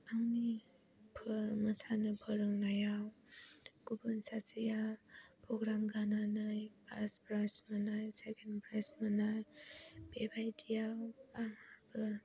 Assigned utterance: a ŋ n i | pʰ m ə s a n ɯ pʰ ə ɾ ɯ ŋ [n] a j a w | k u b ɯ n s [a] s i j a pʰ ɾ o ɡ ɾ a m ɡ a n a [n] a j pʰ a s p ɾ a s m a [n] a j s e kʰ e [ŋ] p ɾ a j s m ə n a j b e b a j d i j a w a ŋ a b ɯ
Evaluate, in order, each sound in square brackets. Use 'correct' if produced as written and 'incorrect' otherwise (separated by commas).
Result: correct, correct, correct, correct, incorrect